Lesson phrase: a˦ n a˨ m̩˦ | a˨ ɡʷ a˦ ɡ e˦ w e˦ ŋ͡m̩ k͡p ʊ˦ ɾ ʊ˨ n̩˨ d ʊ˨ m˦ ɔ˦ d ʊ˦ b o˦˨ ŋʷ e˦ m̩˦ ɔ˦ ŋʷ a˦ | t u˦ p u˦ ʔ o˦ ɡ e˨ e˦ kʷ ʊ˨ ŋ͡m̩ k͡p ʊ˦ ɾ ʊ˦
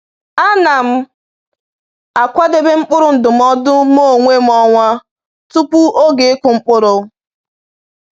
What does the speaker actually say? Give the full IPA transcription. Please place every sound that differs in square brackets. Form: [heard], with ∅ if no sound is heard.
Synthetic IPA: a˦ n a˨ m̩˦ | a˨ [kʷ] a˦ [d] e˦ [b] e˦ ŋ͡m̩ k͡p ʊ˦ ɾ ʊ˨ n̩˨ d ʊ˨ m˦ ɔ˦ d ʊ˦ [m] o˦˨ ŋʷ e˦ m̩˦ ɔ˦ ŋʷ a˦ | t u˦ p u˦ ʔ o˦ ɡ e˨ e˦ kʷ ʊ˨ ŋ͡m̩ k͡p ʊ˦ ɾ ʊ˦